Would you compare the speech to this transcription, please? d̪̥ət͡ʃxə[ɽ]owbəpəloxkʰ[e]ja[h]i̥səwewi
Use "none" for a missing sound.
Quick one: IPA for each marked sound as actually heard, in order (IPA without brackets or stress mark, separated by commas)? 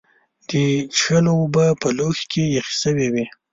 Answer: l, e, x